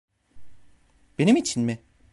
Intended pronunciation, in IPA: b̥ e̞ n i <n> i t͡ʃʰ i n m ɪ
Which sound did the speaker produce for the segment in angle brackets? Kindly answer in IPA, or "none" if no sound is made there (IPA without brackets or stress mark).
m